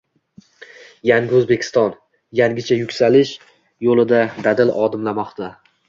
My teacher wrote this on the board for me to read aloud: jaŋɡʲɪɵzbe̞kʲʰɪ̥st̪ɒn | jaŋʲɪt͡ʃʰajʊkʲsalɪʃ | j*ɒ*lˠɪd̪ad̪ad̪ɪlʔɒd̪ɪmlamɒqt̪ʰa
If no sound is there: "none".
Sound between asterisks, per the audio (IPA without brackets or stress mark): o